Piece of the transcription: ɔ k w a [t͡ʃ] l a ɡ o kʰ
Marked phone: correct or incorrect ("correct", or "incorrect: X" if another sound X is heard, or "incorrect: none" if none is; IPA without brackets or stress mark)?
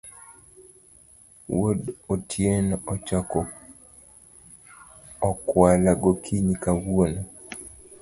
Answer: incorrect: none